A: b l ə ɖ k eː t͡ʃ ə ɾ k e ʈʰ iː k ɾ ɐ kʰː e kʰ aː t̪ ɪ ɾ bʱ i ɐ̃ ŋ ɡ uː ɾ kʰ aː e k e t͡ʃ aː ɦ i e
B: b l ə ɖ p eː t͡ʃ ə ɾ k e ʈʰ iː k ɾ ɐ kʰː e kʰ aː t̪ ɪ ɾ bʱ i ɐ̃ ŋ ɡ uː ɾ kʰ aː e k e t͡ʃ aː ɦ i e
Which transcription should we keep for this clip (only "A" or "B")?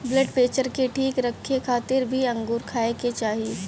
B